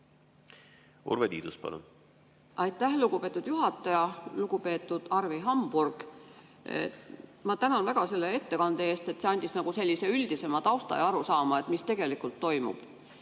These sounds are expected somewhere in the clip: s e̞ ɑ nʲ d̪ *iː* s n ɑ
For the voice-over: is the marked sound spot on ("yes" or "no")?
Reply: no